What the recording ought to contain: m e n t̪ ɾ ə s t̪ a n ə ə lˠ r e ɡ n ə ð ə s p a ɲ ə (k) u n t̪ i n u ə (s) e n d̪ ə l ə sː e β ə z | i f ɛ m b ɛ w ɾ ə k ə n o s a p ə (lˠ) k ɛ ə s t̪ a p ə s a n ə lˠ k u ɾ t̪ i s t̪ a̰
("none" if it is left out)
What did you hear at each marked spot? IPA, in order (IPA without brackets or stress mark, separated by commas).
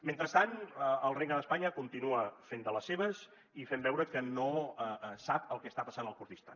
k, f, lˠ